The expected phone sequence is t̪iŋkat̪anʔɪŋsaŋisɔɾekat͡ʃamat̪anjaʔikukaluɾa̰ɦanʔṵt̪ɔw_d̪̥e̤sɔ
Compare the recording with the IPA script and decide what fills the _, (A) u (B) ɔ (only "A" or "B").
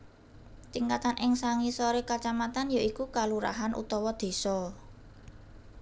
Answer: B